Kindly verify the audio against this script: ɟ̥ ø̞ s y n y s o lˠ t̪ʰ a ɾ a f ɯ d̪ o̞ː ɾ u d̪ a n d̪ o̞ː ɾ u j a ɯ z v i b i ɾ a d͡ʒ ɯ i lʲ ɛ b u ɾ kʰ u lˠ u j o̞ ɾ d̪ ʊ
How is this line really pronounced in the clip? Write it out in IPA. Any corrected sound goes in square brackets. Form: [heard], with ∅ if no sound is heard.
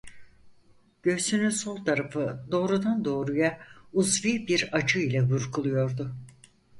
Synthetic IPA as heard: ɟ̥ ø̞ s y n y s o lˠ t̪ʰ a ɾ a f ɯ d̪ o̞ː ɾ u d̪ a n d̪ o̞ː ɾ u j a [u] z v i b i ɾ a d͡ʒ ɯ i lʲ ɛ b u ɾ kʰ u lˠ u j o̞ ɾ d̪ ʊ